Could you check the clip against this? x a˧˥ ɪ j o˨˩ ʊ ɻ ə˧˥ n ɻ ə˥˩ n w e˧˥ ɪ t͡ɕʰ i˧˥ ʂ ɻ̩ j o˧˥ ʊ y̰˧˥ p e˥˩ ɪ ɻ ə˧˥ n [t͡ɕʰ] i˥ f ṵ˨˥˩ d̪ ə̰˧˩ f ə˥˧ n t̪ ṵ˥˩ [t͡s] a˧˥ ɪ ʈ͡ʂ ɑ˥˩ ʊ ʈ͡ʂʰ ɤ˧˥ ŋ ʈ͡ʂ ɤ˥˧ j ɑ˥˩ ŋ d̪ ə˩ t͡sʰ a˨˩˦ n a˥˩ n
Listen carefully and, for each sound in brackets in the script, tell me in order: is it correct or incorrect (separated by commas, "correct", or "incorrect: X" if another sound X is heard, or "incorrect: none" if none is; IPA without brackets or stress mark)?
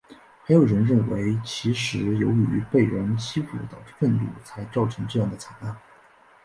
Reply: correct, incorrect: t͡sʰ